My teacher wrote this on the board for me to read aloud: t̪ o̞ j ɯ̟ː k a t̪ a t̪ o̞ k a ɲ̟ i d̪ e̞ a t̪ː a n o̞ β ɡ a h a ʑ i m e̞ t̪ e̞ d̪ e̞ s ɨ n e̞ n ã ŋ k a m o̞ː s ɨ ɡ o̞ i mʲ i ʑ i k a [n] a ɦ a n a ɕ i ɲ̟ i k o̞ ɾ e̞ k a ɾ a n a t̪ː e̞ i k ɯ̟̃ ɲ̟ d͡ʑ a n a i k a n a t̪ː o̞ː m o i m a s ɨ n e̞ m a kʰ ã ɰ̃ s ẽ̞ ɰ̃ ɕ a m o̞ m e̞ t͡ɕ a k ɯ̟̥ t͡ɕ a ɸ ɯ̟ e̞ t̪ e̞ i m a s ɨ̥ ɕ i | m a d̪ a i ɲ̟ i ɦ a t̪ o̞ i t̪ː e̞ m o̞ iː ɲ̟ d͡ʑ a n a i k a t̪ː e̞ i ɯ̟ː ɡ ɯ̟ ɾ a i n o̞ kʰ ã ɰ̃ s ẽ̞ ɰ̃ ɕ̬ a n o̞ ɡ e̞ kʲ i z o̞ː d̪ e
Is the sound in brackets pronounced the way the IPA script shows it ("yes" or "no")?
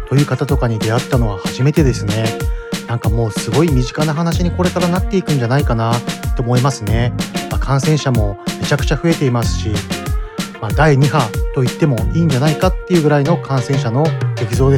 yes